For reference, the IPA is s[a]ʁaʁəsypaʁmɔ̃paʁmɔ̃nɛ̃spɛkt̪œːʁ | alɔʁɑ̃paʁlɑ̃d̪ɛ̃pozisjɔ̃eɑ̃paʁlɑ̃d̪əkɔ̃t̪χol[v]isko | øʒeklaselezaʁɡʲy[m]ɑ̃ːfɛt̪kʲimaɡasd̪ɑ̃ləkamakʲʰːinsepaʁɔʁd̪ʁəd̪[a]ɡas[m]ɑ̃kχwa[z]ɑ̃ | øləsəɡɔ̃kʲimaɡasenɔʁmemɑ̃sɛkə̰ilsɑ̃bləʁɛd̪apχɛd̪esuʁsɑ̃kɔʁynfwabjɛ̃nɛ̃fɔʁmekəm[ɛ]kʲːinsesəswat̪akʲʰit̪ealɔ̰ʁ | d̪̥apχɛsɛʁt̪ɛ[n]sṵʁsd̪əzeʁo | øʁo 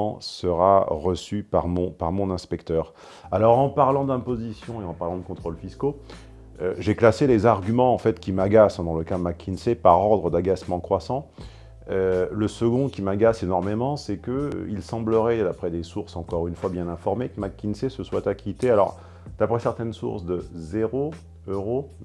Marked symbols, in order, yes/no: no, no, yes, yes, yes, no, no, yes

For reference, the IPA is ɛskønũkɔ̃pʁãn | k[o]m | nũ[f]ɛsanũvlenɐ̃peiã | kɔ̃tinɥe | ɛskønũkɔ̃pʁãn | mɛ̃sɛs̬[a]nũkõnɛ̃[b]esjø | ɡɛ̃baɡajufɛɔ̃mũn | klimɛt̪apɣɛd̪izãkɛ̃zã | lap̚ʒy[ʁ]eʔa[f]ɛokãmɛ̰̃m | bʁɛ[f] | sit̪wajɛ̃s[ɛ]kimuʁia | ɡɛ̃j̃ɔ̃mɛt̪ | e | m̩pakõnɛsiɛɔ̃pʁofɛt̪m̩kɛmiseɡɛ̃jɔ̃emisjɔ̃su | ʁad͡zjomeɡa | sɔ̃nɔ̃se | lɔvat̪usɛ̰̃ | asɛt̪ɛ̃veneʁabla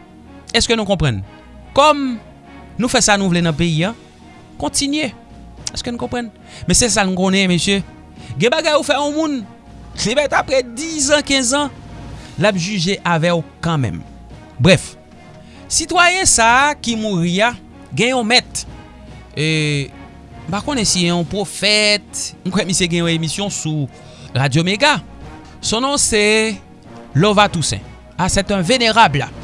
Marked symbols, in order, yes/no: no, yes, yes, no, no, no, yes, no

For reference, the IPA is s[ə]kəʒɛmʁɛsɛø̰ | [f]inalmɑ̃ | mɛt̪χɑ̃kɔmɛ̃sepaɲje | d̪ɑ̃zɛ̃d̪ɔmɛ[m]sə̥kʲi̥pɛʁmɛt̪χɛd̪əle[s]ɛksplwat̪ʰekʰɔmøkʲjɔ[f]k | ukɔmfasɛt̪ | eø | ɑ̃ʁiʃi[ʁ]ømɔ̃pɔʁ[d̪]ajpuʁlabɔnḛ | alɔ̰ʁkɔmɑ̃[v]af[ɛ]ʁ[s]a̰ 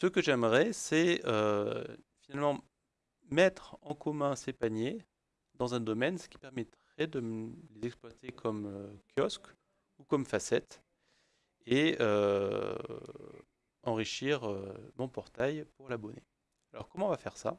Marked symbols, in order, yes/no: yes, yes, no, no, no, yes, no, yes, yes, yes

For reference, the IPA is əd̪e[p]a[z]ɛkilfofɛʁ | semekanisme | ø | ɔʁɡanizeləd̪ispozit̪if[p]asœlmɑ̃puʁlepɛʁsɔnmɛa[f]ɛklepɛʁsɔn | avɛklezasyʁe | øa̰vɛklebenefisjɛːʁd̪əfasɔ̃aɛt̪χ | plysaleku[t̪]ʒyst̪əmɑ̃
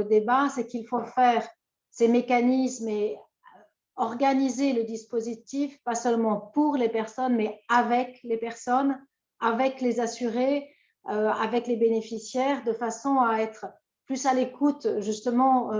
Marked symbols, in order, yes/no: no, no, yes, no, yes

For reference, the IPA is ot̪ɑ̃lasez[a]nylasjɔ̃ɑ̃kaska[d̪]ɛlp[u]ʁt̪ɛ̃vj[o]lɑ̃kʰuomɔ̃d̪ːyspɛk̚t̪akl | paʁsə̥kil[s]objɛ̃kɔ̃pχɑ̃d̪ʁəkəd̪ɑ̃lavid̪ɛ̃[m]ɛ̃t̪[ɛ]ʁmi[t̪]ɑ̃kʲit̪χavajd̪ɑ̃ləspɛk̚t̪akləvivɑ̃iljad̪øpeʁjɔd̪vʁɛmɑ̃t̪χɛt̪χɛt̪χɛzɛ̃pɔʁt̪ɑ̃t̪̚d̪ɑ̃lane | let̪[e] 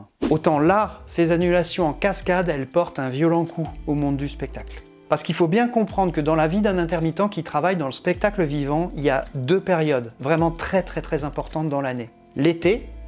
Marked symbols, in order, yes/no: yes, yes, no, no, no, no, yes, yes, yes

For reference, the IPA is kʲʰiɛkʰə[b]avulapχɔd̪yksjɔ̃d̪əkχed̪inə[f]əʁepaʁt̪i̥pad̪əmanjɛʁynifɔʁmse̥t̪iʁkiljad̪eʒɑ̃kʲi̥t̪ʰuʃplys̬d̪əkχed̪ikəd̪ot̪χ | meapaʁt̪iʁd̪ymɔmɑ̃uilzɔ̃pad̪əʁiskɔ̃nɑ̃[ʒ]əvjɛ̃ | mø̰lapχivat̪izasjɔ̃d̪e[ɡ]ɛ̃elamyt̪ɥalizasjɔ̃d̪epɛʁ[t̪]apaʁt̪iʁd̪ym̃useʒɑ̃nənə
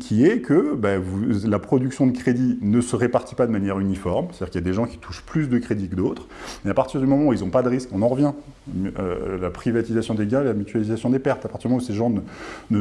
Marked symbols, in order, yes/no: yes, no, no, yes, yes

